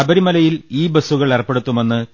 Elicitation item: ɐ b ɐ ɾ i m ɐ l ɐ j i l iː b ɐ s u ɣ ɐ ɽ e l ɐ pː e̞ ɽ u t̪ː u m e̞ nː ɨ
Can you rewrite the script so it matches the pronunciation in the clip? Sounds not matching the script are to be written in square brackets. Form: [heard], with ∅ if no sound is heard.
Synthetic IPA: ɐ b ɐ ɾ i m ɐ l ɐ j i l iː b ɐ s u ɣ ɐ [ɭ] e [r] ɐ pː e̞ ɽ u t̪ː u m e̞ nː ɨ